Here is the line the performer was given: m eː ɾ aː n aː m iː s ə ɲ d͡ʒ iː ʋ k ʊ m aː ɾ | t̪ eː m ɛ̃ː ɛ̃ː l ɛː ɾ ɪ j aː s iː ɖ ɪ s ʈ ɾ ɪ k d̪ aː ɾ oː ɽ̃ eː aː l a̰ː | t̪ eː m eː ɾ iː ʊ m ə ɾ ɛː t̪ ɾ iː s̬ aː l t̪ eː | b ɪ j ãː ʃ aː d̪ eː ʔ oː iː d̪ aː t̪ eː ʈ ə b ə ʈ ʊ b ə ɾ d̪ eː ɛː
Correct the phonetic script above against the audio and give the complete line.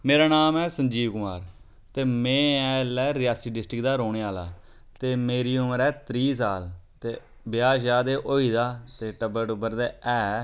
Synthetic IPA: m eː ɾ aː n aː m ɛː s ə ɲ d͡ʒ iː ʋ k ʊ m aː ɾ | t̪ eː m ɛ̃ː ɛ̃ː l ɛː ɾ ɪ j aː s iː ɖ ɪ s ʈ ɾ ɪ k d̪ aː ɾ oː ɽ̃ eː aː l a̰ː | t̪ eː m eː ɾ iː ʊ m ə ɾ ɛː t̪ ɾ iː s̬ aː l t̪ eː | b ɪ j aː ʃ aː d̪ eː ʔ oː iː d̪ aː t̪ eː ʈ ə b ə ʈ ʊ b ə ɾ d̪ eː ɛː